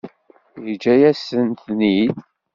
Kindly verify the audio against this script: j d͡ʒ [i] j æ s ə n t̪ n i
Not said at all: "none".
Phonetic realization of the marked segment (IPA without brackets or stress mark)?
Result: æ